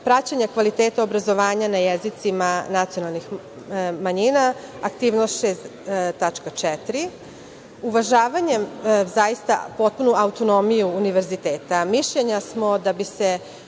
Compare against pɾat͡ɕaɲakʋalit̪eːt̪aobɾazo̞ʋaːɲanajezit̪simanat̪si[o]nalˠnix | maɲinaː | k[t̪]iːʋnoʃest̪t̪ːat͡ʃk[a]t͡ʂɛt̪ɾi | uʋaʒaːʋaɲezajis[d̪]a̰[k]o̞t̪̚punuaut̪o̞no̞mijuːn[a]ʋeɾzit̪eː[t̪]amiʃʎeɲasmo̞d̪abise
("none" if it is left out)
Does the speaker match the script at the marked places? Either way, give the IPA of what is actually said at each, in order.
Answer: o, t̪, a, t̪, p, i, t̪

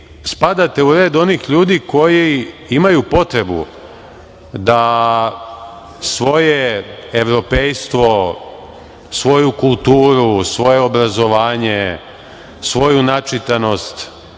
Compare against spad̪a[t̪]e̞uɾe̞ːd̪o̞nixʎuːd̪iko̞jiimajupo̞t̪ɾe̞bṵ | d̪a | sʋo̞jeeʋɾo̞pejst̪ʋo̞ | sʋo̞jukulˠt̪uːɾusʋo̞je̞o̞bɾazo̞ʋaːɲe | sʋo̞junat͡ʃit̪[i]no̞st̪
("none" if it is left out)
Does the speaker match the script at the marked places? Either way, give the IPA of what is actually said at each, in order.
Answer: t̪, a

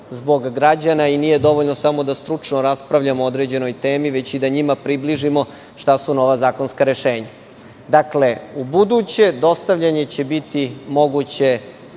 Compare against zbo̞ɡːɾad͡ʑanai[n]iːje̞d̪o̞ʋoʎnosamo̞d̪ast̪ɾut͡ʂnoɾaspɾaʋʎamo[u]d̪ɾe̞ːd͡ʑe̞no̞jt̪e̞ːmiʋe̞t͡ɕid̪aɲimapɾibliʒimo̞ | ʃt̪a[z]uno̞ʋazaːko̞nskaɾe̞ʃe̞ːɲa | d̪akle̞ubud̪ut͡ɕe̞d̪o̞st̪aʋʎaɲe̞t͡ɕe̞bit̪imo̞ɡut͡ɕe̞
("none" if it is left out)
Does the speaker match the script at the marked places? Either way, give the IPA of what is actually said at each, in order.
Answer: n, o, s

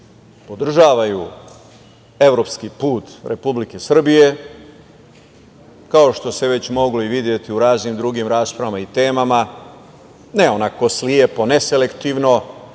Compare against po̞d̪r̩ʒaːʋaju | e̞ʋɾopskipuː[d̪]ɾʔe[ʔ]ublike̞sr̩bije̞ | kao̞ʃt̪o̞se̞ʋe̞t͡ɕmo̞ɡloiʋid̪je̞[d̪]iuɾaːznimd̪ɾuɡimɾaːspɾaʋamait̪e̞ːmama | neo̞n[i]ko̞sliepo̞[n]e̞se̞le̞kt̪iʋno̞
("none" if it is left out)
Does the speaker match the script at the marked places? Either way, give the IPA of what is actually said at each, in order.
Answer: t̪, p, t̪, a, n

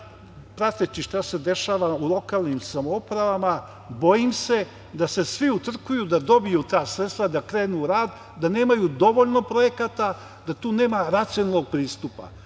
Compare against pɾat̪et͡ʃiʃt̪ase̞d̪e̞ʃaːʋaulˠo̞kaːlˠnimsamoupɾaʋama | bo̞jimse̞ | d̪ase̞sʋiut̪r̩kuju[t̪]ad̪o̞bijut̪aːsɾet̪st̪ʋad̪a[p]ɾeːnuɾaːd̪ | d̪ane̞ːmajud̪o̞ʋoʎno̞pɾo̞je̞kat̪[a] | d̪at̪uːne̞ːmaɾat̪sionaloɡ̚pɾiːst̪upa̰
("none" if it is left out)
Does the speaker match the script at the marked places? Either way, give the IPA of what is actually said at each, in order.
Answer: d̪, k, a

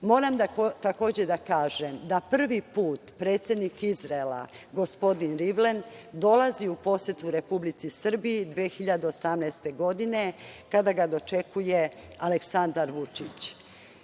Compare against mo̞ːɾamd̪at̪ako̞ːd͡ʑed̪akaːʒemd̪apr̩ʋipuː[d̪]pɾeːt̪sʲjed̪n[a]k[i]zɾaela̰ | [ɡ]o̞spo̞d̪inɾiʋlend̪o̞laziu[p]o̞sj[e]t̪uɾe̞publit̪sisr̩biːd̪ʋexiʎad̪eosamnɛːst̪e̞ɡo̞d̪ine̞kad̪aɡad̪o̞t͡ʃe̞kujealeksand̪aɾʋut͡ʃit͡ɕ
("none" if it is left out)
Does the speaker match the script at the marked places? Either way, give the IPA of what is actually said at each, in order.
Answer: t̪, i, i, ɡ, p, e

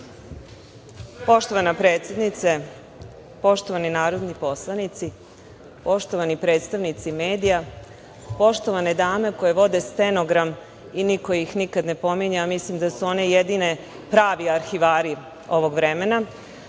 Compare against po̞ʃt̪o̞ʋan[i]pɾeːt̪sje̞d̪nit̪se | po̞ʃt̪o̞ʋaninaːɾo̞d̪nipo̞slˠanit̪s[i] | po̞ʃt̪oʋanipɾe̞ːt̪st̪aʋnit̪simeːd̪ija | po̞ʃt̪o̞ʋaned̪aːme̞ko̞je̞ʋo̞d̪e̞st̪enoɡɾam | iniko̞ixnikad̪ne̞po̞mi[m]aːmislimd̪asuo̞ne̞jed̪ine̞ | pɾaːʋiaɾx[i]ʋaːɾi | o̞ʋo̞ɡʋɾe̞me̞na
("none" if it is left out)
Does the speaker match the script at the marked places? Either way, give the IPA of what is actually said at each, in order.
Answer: a, i, ɲ, i

